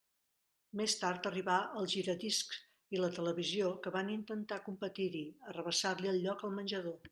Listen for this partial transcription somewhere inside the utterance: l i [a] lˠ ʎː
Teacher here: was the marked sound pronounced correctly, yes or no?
no